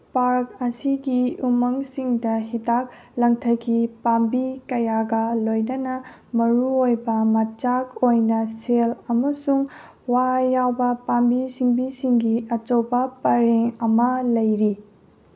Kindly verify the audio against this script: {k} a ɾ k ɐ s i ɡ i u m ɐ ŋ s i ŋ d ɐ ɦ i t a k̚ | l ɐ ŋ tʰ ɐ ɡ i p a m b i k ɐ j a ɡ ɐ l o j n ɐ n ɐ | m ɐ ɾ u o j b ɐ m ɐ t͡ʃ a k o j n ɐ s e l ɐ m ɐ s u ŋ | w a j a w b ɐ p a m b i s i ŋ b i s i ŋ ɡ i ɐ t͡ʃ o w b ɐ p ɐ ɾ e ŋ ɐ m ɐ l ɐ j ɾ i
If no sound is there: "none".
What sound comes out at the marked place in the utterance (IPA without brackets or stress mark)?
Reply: p